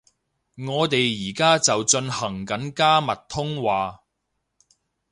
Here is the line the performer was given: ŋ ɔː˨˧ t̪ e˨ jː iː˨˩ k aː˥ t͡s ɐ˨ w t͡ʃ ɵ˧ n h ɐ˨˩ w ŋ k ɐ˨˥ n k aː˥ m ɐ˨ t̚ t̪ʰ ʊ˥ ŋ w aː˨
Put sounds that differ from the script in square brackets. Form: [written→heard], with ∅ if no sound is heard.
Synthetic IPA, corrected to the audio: ŋ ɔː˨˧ t̪ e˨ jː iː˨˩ k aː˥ t͡s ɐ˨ w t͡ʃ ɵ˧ n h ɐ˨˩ [w→∅] ŋ k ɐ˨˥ n k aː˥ m ɐ˨ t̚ t̪ʰ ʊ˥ ŋ w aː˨